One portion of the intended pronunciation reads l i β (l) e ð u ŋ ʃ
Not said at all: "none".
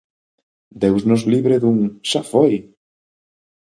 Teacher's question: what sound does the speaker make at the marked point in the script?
ɾ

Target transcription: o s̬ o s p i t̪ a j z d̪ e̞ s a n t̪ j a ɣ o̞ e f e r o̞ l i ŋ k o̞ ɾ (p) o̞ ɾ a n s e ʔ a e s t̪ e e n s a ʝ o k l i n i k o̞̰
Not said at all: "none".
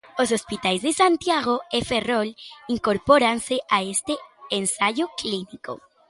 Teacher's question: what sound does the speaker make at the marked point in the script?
p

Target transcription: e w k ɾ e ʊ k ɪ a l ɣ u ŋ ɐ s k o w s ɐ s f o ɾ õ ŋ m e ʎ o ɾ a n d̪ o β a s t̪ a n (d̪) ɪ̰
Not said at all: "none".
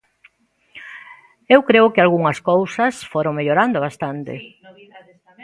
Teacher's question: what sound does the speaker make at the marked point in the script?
t̪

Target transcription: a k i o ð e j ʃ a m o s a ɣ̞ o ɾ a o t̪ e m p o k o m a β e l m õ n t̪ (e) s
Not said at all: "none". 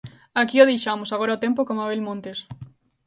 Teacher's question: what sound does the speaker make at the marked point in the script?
e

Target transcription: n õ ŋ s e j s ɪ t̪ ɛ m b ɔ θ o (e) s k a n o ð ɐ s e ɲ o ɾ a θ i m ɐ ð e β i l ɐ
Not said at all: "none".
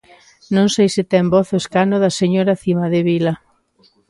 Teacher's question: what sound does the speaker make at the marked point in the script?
e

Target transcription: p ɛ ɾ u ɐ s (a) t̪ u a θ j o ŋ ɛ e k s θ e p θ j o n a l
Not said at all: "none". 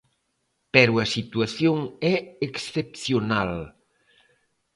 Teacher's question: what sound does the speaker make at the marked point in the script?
i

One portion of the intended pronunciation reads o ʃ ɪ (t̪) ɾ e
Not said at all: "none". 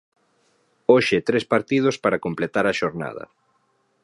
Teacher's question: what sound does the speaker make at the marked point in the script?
t̪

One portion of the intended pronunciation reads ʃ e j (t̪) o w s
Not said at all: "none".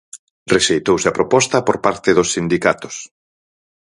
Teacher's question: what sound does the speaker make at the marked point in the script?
t̪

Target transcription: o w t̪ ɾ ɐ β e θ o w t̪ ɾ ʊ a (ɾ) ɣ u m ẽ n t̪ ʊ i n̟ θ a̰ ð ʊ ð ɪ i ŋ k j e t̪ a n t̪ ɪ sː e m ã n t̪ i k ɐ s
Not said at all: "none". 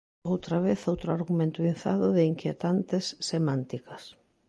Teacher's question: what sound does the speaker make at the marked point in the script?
ɾ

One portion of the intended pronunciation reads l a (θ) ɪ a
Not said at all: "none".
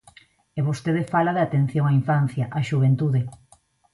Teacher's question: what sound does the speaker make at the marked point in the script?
ð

